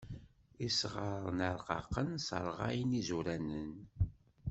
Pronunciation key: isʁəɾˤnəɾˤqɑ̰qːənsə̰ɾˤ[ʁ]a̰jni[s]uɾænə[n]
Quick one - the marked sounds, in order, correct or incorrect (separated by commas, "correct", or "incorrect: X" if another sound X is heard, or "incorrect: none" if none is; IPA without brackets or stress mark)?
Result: correct, incorrect: z, correct